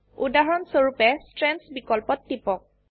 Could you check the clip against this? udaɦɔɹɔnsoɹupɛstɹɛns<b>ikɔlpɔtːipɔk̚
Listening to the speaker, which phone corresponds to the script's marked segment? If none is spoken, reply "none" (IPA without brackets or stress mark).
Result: b